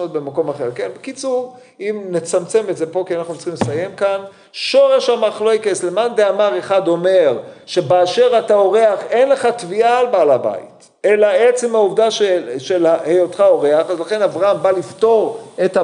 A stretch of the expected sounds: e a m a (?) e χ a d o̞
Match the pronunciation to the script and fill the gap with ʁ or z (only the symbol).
ʁ